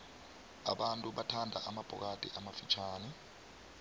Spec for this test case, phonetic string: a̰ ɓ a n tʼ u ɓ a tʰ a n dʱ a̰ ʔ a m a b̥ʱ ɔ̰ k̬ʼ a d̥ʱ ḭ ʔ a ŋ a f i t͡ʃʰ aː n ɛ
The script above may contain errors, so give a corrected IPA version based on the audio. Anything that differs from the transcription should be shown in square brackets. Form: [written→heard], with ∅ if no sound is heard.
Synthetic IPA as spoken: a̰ ɓ a n tʼ u ɓ a tʰ a n dʱ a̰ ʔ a m a b̥ʱ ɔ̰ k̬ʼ a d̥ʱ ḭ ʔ a [ŋ→m] a f i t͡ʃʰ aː n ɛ

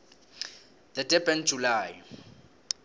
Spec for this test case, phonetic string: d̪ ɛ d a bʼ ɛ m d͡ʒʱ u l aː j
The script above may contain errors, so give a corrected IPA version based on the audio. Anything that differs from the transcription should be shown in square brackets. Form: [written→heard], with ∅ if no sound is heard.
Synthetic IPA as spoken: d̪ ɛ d [a→ɛ] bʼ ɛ [m→n] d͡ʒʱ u l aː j

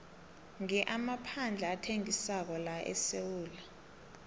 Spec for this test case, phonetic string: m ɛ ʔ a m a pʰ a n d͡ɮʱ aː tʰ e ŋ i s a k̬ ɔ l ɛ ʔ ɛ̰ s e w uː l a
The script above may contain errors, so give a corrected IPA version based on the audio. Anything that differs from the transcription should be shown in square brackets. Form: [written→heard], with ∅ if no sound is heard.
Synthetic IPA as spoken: [m→ŋ] ɛ ʔ a m a pʰ a n d͡ɮʱ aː tʰ e ŋ i s a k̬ ɔ l [ɛ→a] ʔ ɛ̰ s e w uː l a

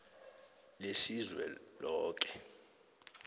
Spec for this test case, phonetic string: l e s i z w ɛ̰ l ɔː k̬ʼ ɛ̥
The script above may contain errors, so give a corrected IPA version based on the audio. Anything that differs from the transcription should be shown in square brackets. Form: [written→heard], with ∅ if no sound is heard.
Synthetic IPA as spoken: l e s i z w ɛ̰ l ɔː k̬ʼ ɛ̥

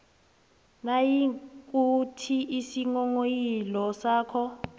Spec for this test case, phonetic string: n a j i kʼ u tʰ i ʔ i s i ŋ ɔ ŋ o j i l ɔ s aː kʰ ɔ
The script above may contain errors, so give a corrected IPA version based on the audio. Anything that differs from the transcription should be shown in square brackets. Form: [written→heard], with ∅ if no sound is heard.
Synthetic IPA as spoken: n a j i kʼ u tʰ i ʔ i s i ŋ ɔ ŋ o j i l ɔ s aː kʰ ɔ

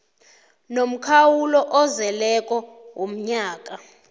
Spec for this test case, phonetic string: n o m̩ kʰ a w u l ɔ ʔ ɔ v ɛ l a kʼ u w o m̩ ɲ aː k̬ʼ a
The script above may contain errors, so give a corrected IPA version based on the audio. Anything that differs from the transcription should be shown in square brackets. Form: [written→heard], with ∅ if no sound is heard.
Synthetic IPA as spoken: n o m̩ kʰ a w u l ɔ ʔ ɔ [v→z] ɛ l [a→ɛ] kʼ [u→ɔ] w o m̩ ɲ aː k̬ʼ a

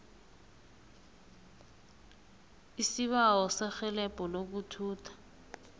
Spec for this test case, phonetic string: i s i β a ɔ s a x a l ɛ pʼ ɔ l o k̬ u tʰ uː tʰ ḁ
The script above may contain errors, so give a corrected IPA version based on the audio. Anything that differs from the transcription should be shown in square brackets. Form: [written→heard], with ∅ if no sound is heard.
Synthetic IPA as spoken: i s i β a ɔ s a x [a→ɛ] l ɛ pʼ ɔ l o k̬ u tʰ uː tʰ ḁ

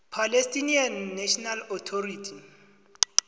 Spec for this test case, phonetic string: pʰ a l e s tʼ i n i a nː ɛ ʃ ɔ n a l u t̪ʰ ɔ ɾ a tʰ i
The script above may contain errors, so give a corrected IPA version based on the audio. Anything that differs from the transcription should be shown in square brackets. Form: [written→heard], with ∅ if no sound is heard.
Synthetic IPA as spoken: pʰ a l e s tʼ i n i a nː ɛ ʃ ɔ n a l [u→ɔ] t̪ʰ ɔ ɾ [a→i] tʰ i

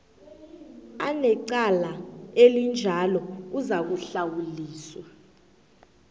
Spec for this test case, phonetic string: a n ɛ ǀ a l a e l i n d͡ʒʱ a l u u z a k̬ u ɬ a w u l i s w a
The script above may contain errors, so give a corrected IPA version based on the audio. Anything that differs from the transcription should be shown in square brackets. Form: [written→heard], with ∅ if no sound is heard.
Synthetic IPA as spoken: a n ɛ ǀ a l a e l i n d͡ʒʱ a l [u→ɔ] u z a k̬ u ɬ a w u l [i→iː] s w a

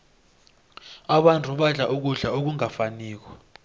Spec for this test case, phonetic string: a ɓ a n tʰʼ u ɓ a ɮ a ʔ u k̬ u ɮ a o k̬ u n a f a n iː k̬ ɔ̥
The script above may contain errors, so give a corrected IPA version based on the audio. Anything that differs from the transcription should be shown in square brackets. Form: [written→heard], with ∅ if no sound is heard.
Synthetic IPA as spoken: a ɓ a n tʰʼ u ɓ a ɮ a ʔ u k̬ u ɮ a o k̬ u [n→ŋ] a f a n iː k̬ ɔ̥

